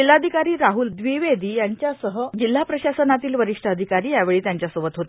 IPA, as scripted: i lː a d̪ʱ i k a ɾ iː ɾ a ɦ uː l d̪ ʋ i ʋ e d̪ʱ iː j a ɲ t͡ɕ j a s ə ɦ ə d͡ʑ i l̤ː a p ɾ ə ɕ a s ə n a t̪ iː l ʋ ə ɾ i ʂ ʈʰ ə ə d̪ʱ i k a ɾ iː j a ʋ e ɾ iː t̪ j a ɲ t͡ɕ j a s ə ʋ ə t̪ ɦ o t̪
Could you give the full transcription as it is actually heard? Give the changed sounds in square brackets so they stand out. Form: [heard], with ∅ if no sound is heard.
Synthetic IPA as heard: i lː a d̪ʱ i k a ɾ iː ɾ a ɦ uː l d̪ ʋ i ʋ e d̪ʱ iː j a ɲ t͡ɕ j a s ə ɦ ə d͡ʑ i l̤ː a p ɾ ə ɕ a s ə n a t̪ iː l ʋ ə ɾ i ʂ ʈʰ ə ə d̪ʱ i k a ɾ iː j a ʋ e [ɭ] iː t̪ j a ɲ t͡ɕ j a s ə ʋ ə t̪ ɦ o t̪